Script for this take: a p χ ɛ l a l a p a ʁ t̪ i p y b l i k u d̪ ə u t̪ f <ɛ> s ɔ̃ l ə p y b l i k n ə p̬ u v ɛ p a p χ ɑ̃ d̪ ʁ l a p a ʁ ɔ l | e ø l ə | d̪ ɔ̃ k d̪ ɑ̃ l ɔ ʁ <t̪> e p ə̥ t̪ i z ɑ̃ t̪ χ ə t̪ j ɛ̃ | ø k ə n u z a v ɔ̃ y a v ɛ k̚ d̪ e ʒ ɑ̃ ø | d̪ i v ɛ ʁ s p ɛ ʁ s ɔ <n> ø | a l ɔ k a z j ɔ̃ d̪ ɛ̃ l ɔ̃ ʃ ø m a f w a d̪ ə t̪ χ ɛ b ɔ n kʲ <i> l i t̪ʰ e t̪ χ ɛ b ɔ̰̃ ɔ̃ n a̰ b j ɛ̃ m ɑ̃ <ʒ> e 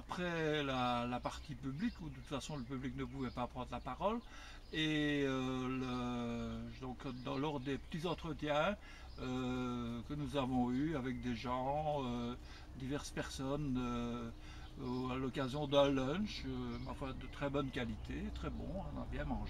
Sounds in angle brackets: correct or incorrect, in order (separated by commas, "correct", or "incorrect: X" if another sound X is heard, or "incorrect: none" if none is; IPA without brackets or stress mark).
incorrect: a, incorrect: d̪, correct, incorrect: a, correct